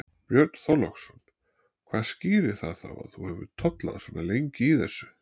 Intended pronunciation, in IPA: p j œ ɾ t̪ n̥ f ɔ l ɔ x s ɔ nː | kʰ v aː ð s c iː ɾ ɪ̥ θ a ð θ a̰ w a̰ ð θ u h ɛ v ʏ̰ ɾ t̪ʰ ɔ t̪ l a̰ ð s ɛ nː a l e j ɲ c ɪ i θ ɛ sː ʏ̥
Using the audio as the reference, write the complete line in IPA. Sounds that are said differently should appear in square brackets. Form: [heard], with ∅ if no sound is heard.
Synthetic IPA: p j œ ɾ t̪ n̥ [θ] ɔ l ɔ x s ɔ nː | kʰ v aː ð s c iː ɾ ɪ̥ θ a ð θ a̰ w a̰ ð θ u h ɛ v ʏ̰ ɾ t̪ʰ ɔ t̪ l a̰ ð s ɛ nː a l e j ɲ c ɪ i θ ɛ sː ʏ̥